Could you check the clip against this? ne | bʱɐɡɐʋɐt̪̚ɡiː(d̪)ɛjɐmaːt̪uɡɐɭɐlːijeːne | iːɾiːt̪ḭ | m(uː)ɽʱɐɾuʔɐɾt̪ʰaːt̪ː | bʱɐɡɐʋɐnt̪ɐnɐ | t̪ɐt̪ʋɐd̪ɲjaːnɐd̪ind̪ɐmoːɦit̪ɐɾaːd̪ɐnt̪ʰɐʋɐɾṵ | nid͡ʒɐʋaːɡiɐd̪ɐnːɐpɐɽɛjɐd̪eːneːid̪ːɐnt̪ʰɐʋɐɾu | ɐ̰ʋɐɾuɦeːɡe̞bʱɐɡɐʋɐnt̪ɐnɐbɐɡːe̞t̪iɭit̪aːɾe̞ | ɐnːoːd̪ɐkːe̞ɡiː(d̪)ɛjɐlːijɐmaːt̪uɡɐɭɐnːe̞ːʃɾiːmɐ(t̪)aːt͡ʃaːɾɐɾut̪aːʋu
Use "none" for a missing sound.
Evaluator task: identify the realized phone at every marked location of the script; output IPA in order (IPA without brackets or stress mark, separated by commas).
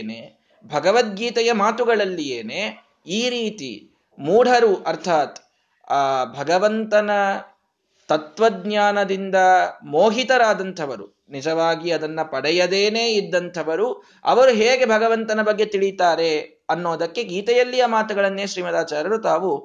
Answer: t̪, uː, t̪, d̪